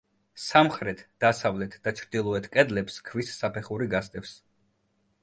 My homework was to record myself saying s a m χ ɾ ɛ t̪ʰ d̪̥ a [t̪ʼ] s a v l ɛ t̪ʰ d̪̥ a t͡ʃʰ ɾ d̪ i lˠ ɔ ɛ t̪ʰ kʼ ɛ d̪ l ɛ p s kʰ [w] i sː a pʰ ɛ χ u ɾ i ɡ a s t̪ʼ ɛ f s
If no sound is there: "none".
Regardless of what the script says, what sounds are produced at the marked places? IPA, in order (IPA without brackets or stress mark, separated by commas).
none, v